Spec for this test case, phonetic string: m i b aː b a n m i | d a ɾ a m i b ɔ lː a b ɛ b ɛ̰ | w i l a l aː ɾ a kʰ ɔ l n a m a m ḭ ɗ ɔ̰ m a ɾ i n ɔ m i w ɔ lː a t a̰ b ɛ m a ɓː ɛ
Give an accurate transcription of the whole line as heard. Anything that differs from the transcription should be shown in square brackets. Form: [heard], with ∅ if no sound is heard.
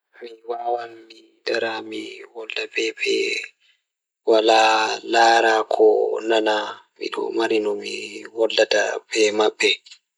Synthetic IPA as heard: m i [w] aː [w] a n m i | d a ɾ a m i [w] ɔ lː a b ɛ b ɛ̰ | w [a] l a l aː ɾ a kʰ ɔ [∅] n a [n] a m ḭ ɗ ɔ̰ m a ɾ i n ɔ m i w ɔ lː a t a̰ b ɛ m a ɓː ɛ